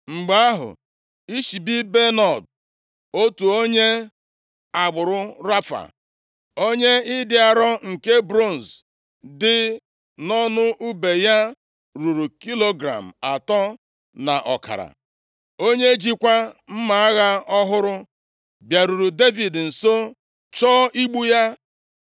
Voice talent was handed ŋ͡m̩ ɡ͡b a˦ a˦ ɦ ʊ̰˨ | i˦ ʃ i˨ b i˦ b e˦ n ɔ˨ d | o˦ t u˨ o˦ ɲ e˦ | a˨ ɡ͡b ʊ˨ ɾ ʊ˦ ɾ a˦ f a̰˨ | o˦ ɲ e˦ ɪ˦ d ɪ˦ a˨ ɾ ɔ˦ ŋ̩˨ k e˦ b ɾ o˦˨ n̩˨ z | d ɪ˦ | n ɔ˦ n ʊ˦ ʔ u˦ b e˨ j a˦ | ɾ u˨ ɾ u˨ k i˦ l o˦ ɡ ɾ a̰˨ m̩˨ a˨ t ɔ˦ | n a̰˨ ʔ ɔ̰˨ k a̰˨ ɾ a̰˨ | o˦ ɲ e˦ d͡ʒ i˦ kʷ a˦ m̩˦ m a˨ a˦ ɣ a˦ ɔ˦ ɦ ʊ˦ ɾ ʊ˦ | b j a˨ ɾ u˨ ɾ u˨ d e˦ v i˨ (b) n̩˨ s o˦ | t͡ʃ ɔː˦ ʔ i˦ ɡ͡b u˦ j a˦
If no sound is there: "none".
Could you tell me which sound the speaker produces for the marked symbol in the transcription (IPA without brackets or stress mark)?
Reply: d